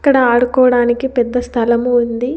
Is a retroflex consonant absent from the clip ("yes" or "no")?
no